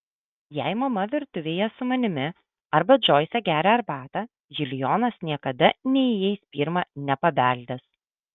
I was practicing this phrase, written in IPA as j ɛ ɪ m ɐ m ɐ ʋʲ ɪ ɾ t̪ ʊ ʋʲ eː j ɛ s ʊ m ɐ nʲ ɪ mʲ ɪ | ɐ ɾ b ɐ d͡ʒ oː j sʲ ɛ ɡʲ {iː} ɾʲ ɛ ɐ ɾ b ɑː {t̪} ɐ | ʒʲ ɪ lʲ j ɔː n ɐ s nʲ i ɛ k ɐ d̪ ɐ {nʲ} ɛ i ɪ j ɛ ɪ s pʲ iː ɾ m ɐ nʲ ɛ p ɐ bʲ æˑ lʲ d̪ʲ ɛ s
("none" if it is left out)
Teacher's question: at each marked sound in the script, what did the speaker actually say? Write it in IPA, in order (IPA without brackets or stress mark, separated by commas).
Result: æː, t̪, nʲ